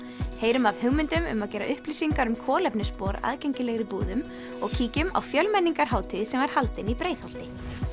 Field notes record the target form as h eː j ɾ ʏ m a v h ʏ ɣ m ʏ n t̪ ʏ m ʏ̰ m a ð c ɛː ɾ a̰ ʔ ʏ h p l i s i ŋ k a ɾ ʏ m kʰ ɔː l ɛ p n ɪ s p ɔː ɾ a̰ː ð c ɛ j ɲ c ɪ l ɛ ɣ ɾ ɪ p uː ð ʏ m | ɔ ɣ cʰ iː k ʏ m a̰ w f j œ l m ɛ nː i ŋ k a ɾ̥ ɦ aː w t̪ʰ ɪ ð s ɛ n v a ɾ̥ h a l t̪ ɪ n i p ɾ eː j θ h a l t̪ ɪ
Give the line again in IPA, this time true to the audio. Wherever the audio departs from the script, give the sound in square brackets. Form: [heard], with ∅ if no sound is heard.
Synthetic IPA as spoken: h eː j ɾ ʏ m a v h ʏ ɣ m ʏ n t̪ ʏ m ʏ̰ m a ð c ɛː ɾ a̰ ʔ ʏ h p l i s i ŋ k a ɾ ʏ m kʰ ɔː l ɛ p n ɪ s p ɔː ɾ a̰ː ð c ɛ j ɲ c ɪ l ɛ ɣ ɾ ɪ p uː ð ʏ m | ɔ ɣ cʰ iː [c] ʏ m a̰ w f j œ l m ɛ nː i ŋ k a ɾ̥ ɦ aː w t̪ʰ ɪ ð s ɛ [m] v a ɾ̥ h a l t̪ ɪ n i p ɾ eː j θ h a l t̪ ɪ